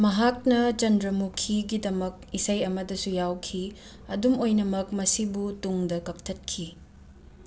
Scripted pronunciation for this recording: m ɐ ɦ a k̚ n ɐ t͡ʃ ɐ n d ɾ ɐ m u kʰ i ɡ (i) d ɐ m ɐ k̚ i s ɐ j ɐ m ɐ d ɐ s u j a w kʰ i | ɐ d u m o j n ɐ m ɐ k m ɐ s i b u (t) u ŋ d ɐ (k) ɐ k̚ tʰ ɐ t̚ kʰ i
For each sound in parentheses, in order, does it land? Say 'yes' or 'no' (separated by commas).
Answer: yes, yes, yes